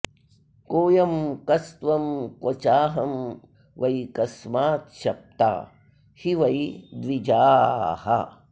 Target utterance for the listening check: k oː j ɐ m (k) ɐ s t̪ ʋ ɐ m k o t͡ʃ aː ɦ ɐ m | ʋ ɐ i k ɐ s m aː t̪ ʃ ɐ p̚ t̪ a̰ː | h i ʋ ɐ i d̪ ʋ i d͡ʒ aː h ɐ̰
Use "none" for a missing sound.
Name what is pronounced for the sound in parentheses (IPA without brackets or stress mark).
k